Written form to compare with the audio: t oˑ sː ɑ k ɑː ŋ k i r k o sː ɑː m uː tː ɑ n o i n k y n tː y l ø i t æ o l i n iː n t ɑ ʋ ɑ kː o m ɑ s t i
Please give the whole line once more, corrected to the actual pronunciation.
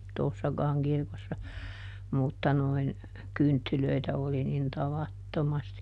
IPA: t oˑ sː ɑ k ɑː ŋ k i r k o sː ɑ m u tː ɑ n o i n k y n tː y l ø i t æ o l i n i n t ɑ ʋ ɑ tː o m ɑ s t i